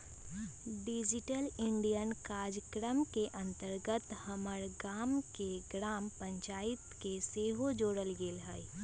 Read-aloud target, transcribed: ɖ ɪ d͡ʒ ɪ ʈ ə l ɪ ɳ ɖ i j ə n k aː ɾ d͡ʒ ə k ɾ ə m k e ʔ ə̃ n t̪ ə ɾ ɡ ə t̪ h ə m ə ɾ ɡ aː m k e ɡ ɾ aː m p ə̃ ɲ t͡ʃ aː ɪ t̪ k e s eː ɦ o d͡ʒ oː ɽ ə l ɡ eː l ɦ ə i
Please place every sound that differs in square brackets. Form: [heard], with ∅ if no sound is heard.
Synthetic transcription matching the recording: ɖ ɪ d͡ʒ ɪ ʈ ə l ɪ ɳ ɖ i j ə n k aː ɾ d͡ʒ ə k ɾ ə m k e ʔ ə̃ n t̪ ə ɾ ɡ ə t̪ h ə m ə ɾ ɡ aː m k e ɡ ɾ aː m p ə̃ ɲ t͡ʃ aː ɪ t̪ k e s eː ɦ o d͡ʒ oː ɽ ə l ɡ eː l ɦ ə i